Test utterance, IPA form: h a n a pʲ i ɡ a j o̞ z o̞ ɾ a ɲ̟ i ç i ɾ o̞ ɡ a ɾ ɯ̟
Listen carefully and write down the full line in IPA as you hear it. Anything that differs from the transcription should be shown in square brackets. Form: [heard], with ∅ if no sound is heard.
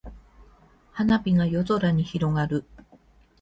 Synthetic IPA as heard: h a n a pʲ i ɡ a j o̞ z o̞ ɾ a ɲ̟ i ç i ɾ o̞ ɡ a ɾ ɯ̟